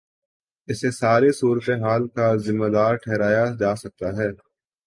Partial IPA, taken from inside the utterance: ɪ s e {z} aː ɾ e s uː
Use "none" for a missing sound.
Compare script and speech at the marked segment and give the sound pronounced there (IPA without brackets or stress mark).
s